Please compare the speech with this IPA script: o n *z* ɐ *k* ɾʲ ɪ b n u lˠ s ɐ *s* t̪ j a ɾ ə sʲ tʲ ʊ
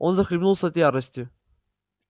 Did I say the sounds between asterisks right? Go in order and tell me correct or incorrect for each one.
correct, incorrect: x, incorrect: none

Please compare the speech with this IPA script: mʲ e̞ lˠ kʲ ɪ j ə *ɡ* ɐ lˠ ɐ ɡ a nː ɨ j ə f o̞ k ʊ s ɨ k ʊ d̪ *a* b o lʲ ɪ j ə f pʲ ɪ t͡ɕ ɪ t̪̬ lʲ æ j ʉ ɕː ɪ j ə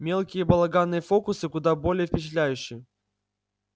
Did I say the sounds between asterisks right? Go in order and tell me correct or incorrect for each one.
incorrect: b, correct

